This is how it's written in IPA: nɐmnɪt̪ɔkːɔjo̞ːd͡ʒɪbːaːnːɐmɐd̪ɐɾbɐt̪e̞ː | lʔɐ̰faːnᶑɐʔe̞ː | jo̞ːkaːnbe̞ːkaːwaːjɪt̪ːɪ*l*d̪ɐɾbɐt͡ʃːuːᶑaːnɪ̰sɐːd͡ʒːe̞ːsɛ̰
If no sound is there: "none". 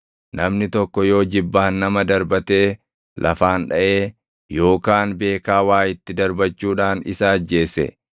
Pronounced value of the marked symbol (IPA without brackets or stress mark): none